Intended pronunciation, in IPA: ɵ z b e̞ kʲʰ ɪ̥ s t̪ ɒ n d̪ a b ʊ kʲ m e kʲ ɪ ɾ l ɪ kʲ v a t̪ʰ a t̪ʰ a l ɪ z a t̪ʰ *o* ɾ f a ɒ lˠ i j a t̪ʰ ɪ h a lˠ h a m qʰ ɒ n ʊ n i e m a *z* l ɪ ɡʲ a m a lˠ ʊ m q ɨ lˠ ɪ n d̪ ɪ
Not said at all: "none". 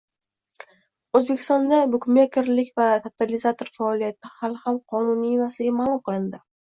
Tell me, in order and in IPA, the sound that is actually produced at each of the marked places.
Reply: o, s

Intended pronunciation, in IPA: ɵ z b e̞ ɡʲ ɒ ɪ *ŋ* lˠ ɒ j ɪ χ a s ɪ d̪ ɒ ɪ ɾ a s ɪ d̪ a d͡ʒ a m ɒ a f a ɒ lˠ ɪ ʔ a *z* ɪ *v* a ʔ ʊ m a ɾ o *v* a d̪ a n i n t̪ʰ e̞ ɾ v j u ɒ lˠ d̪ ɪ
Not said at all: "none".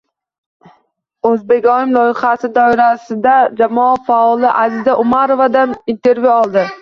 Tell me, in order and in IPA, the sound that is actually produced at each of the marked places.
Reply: m, z, z, v

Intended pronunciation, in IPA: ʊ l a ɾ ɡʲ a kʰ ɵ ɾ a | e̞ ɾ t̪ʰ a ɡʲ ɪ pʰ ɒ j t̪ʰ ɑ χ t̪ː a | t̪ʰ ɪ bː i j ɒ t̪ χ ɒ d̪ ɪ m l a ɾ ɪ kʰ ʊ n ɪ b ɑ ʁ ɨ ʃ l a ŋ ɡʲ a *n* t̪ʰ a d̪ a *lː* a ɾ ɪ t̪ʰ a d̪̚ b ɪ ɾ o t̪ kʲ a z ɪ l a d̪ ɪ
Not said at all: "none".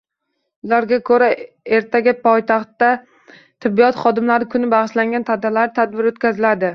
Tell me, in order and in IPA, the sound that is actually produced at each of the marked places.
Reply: n, l

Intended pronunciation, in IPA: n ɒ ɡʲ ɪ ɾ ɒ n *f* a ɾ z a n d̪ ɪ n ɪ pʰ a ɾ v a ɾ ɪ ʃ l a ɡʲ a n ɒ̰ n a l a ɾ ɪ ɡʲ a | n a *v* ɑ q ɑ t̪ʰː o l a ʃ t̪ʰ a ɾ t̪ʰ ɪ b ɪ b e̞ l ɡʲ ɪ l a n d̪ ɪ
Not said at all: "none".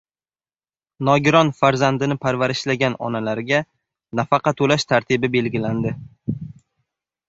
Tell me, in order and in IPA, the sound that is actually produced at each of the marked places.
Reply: f, f

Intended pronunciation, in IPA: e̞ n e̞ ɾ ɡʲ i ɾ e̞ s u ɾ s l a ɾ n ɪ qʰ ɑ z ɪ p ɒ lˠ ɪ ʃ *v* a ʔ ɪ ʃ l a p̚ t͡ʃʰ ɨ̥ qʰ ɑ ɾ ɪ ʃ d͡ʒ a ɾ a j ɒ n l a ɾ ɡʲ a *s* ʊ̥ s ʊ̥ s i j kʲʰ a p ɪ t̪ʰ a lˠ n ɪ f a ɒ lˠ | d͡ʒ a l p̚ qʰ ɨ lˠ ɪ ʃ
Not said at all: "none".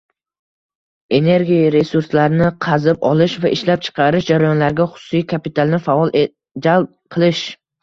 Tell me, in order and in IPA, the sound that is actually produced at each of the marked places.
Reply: v, χ

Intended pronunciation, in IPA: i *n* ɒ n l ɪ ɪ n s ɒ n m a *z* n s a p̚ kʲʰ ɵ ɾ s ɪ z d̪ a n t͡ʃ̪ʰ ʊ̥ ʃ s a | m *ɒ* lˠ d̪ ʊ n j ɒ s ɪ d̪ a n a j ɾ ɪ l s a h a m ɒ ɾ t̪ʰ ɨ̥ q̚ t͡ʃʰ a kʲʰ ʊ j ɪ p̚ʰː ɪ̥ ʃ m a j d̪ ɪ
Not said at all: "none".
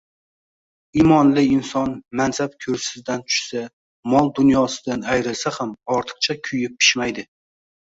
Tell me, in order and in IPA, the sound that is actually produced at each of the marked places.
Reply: m, none, ɒ

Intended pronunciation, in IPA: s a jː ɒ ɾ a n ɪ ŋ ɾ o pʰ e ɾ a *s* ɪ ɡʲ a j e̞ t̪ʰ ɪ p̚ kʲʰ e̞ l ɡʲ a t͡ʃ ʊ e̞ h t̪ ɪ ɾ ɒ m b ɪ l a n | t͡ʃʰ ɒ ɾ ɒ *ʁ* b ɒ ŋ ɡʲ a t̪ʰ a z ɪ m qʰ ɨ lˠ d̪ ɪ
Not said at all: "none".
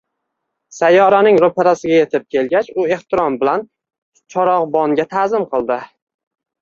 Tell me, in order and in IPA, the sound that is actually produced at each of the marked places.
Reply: s, ʁ

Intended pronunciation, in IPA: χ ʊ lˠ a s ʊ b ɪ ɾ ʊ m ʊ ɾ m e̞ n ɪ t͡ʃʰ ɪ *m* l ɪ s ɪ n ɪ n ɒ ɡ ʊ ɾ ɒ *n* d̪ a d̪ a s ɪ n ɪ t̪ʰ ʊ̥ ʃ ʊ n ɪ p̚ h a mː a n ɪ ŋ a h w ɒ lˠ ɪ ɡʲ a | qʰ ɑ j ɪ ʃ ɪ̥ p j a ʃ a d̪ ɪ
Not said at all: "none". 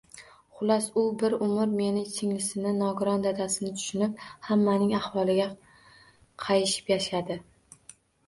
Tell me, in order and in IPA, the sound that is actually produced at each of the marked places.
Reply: ŋ, n

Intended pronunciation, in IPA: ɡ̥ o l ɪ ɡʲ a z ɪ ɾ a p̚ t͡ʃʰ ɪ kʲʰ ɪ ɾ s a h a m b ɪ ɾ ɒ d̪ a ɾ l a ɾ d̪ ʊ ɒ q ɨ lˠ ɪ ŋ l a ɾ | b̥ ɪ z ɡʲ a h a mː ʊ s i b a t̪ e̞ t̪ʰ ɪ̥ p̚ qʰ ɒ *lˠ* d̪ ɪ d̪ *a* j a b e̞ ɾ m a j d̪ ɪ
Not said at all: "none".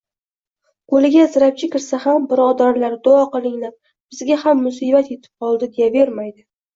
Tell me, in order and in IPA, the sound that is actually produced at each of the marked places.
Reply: lˠ, e

